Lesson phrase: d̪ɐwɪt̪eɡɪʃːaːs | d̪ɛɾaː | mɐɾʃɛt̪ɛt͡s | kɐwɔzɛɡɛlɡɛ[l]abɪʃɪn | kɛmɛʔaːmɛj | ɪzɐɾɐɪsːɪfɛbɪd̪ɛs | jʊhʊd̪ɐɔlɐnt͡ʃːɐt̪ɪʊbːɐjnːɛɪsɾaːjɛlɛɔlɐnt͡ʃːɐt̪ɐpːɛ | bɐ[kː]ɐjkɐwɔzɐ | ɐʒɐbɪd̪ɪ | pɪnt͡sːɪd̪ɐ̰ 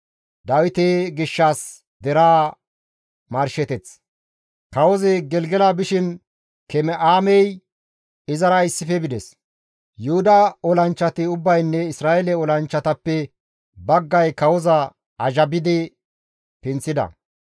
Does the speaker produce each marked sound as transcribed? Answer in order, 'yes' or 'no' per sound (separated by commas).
yes, no